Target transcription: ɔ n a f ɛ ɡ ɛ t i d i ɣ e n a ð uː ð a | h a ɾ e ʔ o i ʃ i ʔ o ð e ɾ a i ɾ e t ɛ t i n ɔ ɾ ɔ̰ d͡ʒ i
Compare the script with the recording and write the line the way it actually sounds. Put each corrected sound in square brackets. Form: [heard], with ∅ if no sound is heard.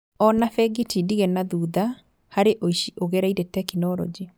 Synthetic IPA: ɔ n a f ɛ ɡ [i] t i d i ɣ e n a ð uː ð a | h a ɾ e ʔ o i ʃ i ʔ o [ɣ] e ɾ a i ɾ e t ɛ [k] i n ɔ ɾ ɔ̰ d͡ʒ i